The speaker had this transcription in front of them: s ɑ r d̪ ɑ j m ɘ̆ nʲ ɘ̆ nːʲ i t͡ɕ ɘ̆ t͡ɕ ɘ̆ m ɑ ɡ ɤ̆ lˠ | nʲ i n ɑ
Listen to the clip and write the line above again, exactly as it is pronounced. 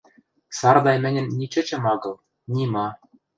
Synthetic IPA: s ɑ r d̪ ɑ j m ɘ̆ nʲ ɘ̆ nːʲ i t͡ɕ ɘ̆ t͡ɕ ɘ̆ m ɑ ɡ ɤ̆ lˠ | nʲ i m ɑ